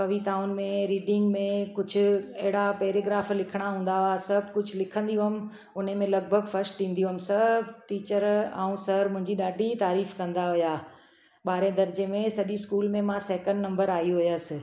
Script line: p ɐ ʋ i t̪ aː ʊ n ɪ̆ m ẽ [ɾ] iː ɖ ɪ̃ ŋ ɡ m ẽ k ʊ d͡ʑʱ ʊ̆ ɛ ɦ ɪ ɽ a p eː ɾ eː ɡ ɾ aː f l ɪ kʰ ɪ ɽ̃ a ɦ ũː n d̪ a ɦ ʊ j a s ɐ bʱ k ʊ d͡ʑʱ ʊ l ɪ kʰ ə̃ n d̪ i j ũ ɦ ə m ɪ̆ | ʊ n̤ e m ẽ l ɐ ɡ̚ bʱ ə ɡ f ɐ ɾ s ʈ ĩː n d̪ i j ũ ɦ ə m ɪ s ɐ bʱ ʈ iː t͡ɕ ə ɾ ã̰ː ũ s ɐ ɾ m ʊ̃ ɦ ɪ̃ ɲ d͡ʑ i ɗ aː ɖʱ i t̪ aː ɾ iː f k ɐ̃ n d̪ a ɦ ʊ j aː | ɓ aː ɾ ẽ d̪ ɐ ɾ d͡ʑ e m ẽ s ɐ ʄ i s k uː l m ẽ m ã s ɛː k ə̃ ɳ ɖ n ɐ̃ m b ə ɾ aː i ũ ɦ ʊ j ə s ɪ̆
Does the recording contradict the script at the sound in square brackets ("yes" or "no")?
no